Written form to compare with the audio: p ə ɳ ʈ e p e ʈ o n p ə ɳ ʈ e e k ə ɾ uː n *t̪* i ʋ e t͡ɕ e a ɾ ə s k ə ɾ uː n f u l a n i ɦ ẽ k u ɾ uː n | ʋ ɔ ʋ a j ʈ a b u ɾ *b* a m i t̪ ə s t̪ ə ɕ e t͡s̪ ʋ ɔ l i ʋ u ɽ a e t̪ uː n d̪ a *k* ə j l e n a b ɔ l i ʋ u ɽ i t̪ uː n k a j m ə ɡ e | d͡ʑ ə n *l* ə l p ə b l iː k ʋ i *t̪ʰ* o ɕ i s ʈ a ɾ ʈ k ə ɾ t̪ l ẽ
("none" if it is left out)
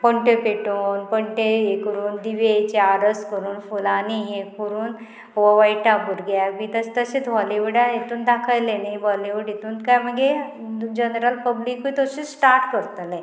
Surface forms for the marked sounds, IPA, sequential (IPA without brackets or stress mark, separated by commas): d̪, ɡ, kʰ, ɾ, t̪